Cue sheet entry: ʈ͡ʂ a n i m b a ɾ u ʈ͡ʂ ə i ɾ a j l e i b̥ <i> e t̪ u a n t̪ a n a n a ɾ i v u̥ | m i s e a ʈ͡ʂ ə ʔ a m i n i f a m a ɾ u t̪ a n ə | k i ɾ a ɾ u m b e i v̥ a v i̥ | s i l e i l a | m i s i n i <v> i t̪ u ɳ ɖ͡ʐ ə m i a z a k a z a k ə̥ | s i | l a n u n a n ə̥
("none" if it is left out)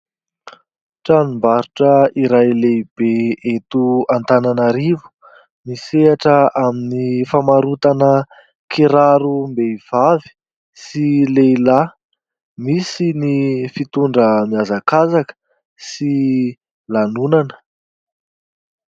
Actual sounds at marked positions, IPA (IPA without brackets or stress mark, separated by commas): e, f